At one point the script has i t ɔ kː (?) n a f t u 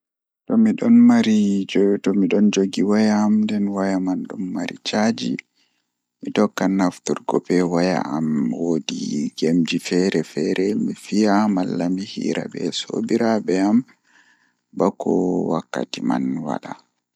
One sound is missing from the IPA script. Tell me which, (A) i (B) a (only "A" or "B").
B